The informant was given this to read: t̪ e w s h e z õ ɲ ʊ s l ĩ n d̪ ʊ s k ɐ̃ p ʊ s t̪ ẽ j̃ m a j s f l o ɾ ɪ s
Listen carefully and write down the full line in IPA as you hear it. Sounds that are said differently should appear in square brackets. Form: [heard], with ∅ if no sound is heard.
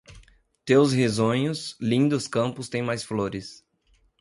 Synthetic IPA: t̪ e w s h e z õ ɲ ʊ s l ĩ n d̪ ʊ s k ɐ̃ p ʊ s t̪ ẽ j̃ m a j s f l o ɾ ɪ s